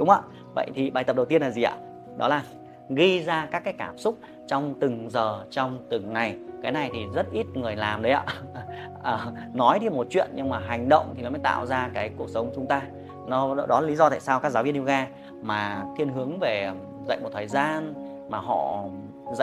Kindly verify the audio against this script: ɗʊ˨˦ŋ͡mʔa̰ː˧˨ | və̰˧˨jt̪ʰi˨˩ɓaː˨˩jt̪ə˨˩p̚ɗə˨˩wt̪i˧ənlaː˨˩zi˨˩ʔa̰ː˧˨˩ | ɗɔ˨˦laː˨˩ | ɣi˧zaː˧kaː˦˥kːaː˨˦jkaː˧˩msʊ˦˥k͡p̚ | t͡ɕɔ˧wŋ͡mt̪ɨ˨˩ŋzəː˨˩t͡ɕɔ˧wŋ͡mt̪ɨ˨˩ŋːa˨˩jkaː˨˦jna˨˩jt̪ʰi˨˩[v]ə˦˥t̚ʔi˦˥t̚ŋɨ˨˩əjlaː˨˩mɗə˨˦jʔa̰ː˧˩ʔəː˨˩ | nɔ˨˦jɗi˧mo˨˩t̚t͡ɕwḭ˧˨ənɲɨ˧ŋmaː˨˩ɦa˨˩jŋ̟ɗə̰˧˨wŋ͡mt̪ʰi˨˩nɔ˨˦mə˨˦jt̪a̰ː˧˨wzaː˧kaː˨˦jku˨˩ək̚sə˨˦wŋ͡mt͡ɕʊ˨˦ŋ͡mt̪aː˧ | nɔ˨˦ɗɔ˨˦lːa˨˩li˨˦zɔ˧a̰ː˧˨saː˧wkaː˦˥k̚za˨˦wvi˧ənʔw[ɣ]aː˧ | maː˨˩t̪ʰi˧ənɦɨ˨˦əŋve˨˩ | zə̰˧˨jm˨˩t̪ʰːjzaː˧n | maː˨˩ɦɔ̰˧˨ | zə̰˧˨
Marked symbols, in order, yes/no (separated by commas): no, yes